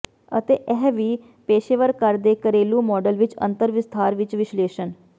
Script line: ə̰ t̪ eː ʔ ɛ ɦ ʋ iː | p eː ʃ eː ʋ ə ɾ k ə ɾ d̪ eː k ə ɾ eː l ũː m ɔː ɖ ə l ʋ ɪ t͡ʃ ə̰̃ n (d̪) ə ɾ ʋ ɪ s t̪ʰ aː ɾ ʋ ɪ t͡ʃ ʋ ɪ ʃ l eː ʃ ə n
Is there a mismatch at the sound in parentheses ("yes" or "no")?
yes